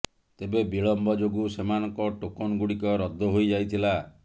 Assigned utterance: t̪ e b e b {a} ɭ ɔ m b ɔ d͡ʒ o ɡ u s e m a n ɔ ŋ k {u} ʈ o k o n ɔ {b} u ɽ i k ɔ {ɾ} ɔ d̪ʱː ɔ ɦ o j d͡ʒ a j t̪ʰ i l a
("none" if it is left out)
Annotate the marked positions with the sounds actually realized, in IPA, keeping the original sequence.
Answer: i, ɔ, ɡ, ɾ

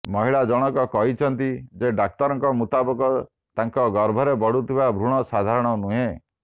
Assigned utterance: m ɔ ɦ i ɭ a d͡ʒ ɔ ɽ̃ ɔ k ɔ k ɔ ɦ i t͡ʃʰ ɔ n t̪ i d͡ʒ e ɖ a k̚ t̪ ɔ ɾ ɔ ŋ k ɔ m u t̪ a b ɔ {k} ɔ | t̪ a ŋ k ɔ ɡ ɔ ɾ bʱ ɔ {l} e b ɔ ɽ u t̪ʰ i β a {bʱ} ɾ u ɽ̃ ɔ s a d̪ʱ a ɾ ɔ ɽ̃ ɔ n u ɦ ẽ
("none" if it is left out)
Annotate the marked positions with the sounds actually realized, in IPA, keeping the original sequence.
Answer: k, ɾ, bʱ

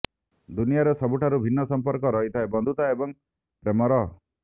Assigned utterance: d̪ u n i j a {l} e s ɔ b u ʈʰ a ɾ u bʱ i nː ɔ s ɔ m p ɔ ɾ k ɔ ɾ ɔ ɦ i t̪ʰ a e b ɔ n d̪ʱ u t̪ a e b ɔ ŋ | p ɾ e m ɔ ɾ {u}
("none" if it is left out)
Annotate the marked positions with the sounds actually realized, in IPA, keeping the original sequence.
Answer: ɾ, ɔ

